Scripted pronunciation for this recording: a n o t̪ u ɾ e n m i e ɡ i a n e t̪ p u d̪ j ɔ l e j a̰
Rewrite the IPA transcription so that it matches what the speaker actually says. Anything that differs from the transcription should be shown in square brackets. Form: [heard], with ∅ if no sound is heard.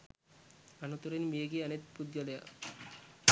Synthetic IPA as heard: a n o t̪ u ɾ e n m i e ɡ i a n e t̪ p u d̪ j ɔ l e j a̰